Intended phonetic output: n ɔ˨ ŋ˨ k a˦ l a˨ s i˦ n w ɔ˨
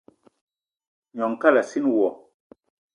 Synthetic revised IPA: ɲ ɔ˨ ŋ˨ k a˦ l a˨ s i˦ n w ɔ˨